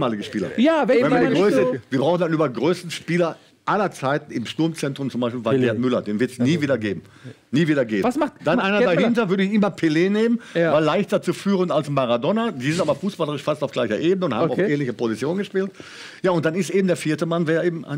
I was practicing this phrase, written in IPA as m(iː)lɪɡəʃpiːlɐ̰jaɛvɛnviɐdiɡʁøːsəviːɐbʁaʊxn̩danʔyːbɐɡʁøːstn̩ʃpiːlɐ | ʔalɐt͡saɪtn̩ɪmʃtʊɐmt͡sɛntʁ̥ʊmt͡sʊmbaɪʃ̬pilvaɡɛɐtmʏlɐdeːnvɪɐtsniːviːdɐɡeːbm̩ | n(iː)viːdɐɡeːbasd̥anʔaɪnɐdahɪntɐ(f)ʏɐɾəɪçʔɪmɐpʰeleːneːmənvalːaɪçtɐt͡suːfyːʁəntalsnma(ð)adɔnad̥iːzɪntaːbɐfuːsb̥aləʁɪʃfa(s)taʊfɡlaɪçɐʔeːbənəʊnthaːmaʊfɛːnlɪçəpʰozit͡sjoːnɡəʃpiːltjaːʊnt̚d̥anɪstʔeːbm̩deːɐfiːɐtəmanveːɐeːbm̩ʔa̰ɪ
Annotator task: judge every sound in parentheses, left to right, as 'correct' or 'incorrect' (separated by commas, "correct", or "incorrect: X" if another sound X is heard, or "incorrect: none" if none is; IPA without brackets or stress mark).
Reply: incorrect: aː, correct, incorrect: v, incorrect: ʁ, correct